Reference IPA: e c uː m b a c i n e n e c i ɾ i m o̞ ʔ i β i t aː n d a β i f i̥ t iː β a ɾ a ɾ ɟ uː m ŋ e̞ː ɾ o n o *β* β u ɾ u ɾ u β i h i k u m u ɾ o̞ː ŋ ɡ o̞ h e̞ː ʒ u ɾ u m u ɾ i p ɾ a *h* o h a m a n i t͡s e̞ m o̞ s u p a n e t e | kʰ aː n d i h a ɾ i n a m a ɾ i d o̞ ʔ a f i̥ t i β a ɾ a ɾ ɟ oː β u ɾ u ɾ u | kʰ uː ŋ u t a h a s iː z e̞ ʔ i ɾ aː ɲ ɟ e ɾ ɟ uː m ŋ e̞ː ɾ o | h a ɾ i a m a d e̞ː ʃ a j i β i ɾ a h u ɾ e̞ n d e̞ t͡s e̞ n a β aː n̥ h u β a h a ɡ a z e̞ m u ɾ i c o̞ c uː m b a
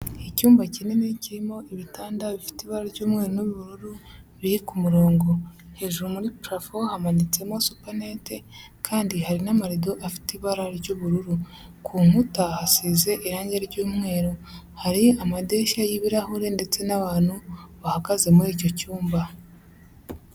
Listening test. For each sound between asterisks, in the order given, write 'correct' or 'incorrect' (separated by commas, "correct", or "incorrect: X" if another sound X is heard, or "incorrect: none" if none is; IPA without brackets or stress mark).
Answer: correct, incorrect: f